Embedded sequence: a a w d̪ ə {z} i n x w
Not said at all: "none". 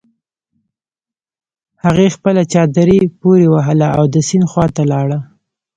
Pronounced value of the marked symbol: s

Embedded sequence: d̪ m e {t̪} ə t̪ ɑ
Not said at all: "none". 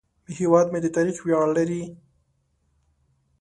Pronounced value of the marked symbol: d̪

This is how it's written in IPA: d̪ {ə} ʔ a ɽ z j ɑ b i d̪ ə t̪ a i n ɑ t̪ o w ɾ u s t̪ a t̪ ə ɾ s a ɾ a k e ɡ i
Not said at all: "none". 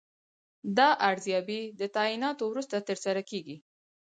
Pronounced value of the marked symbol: ɑ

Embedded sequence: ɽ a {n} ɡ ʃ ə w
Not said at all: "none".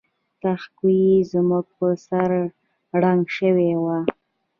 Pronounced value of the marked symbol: ŋ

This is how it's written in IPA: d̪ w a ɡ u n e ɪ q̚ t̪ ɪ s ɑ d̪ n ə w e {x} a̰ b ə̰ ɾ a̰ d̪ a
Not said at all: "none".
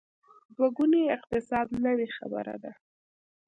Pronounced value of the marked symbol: x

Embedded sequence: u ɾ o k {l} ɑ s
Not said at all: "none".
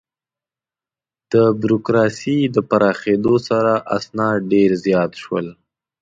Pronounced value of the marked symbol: ɾ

